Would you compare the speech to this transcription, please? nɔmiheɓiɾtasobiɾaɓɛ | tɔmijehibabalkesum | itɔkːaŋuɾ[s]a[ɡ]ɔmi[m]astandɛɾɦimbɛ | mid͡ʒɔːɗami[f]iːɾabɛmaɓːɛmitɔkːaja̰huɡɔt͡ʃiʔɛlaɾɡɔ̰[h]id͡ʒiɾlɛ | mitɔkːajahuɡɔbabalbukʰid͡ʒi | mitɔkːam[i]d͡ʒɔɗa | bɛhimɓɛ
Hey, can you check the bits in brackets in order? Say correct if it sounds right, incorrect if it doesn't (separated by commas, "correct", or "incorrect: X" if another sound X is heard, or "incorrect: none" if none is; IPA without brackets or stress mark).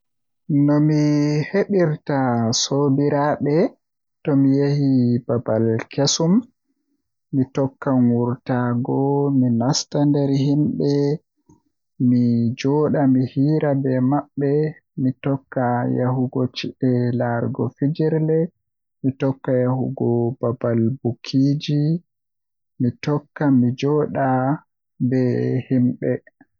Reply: incorrect: t, correct, incorrect: n, incorrect: h, incorrect: f, correct